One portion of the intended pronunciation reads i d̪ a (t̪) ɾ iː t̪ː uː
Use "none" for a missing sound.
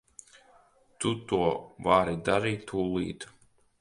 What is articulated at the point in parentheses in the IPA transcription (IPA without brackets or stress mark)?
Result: none